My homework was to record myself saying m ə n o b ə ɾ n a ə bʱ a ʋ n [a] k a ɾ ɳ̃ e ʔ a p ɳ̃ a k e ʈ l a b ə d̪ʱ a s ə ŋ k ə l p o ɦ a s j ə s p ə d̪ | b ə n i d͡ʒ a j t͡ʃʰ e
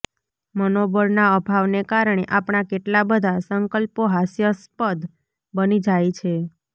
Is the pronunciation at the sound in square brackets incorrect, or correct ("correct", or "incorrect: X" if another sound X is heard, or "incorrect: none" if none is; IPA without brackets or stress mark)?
incorrect: e